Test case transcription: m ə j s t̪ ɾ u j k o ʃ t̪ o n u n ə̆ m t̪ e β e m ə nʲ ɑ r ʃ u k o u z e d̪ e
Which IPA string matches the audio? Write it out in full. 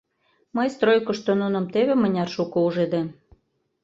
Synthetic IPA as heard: m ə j s t̪ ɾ o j k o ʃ t̪ o n u n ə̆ m t̪ e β e m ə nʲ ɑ r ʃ u k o u ʒ e d̪ e

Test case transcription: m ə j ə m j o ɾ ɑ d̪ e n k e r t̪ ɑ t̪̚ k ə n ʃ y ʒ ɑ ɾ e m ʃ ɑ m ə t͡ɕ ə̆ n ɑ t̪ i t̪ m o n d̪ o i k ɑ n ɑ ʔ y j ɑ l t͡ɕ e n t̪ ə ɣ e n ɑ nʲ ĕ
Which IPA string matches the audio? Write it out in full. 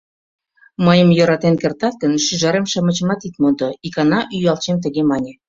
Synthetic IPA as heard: m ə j ə m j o ɾ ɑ t̪ e n k e r t̪ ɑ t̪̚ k ə n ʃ y ʒ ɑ ɾ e m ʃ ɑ m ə t͡ɕ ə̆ m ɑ t̪ i t̪ m o n d̪ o i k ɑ n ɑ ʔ y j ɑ l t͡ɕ e m t̪ ə ɣ e m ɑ nʲ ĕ

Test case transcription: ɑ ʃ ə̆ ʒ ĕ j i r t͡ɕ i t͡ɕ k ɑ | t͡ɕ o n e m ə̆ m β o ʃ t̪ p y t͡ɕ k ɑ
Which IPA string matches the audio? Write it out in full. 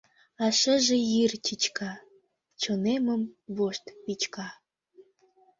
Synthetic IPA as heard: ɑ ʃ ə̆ ʒ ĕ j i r t͡ɕ i t͡ɕ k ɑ | t͡ɕ o n e m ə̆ m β o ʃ t̪ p i t͡ɕ k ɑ

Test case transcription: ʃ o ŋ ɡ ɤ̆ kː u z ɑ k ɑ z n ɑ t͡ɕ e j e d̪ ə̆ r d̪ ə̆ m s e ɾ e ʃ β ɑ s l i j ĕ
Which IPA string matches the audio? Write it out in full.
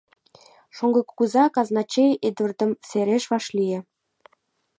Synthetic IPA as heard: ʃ o ŋ ɡ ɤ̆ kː u z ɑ k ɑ z n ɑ t͡ɕ e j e d̪ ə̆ r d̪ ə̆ m s e ɾ e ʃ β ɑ ʃ l i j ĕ

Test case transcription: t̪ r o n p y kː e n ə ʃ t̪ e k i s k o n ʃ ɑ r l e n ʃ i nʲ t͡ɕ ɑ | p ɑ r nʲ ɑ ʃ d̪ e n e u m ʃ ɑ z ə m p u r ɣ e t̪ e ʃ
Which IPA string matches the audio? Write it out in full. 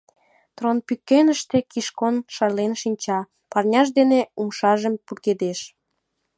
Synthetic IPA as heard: t̪ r o n p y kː e n ə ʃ t̪ e k i ʃ k o n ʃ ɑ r l e n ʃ i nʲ t͡ɕ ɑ | p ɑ r nʲ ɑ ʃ d̪ e n e u m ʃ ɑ ʒ ə m p u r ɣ e d̪ e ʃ

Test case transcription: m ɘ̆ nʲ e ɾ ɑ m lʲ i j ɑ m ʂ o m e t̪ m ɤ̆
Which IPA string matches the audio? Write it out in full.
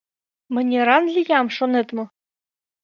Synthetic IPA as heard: m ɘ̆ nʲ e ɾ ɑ n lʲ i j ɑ m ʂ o n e t̪ m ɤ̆

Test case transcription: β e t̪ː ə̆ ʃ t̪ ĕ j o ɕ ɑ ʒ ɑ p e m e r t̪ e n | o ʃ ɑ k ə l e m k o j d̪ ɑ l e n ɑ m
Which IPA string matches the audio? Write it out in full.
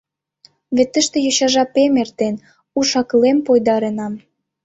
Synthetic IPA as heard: β e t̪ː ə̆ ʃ t̪ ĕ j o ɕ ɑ ʒ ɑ p e m e r t̪ e n | u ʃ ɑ k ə l e m p o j d̪ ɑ ɾ e n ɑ m

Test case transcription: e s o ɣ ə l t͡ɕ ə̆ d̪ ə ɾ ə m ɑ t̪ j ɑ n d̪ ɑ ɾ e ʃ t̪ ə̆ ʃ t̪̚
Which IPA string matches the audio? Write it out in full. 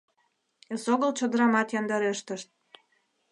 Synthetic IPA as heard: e s o ɣ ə l t͡ɕ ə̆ d̪ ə ɾ ɑ m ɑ t̪ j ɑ n d̪ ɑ ɾ e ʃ t̪ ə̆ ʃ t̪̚

